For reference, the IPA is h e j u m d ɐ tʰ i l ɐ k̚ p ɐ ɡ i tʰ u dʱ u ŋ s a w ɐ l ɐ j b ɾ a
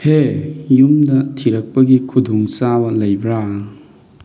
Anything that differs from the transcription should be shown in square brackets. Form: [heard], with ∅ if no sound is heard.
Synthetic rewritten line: h e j u m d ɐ tʰ i [ɾ] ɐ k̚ p ɐ ɡ i [kʰ] u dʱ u ŋ s a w ɐ l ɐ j b ɾ a